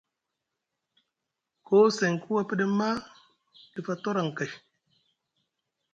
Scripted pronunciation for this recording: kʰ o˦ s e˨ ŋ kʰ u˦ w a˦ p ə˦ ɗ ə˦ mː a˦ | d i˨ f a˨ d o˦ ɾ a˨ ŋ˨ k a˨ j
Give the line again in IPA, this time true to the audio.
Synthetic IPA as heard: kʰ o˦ s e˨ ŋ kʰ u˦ w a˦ p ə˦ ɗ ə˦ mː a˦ | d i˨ f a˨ t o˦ ɾ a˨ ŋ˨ k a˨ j